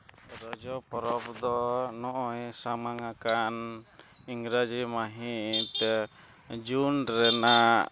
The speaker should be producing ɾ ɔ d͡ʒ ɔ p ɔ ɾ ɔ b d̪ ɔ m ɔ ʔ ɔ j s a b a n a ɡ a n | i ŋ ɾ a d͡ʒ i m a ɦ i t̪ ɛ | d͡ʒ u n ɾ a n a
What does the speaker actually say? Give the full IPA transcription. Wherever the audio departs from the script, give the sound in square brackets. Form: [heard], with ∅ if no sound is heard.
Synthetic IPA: ɾ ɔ d͡ʒ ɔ p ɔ ɾ ɔ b d̪ ɔ [n] ɔ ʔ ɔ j s a [m] a [ŋ] a [k] a n | i ŋ ɾ a d͡ʒ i m a ɦ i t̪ ɛ | d͡ʒ u n ɾ [ɛ] n a